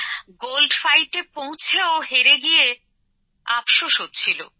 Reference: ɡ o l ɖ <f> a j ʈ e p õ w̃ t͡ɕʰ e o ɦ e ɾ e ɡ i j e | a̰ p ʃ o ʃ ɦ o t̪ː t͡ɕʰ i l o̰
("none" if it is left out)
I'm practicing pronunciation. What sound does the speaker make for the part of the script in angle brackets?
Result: f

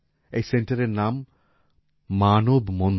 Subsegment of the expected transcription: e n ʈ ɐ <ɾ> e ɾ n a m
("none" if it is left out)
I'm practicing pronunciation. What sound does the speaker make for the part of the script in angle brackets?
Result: ɾ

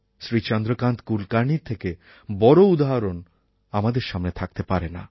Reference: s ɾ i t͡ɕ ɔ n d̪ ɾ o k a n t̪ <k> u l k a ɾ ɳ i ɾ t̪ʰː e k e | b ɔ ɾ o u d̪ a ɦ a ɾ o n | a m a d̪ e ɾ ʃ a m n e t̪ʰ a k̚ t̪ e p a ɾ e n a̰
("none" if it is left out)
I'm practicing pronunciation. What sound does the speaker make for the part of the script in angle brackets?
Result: k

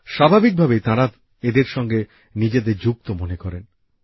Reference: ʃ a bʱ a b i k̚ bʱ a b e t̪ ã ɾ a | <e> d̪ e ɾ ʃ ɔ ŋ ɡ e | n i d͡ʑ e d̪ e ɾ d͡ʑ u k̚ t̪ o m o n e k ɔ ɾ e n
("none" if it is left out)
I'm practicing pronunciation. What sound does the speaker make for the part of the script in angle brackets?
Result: e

